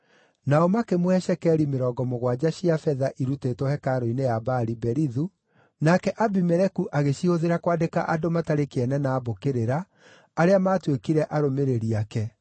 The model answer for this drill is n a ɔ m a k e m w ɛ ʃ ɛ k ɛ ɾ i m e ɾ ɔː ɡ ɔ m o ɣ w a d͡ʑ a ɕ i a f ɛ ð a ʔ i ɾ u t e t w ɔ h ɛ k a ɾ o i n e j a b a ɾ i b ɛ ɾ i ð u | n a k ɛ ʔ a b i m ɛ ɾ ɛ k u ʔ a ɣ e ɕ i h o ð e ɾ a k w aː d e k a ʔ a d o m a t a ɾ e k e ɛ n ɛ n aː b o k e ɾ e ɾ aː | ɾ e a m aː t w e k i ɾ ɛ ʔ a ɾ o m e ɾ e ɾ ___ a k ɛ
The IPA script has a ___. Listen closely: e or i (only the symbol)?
i